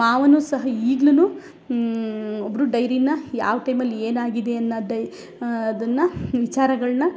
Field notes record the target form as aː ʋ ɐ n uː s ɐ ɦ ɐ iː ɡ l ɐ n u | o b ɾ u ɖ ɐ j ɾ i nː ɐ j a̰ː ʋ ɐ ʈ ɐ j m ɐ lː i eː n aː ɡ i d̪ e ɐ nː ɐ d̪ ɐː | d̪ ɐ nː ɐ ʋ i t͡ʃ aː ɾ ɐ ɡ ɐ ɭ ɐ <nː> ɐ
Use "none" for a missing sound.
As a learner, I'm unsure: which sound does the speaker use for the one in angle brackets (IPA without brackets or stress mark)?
n